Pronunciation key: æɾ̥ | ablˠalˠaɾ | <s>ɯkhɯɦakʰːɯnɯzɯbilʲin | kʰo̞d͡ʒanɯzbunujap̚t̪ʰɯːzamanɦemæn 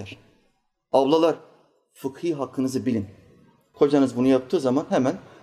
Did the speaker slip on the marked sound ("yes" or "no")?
yes